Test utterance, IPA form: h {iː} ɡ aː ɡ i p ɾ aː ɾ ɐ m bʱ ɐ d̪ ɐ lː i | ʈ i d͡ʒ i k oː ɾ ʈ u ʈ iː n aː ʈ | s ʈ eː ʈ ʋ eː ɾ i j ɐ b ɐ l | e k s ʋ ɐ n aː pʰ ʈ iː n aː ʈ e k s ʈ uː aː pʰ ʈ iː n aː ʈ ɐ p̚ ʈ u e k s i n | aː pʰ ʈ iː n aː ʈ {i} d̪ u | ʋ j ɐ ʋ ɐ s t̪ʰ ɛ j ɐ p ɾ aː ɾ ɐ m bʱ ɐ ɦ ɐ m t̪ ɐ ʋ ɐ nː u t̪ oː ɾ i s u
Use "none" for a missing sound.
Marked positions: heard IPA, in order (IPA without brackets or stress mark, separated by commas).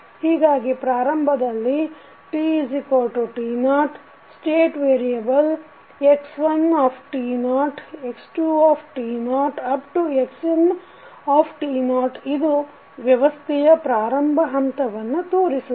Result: iː, i